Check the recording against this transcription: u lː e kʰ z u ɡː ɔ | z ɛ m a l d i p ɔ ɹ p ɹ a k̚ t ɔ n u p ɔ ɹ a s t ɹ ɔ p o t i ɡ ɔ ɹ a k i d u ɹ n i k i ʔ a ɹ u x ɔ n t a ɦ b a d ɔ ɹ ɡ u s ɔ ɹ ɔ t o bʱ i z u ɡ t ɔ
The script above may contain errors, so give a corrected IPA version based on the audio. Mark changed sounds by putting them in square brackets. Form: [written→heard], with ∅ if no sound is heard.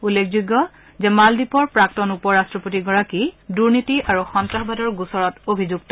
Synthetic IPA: u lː e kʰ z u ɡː ɔ | z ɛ m a l d i p ɔ ɹ p ɹ a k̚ t ɔ n u p ɔ ɹ a s t ɹ ɔ p o t i ɡ ɔ ɹ a k i d u ɹ n i [k→t] i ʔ a ɹ u x ɔ n t a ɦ b a d ɔ ɹ ɡ u s ɔ ɹ ɔ t o bʱ i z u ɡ t ɔ